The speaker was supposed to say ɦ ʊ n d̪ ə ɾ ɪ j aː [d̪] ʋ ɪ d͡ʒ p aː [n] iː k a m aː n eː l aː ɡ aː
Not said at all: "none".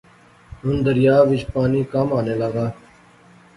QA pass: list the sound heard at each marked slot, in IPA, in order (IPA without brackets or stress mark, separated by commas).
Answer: none, n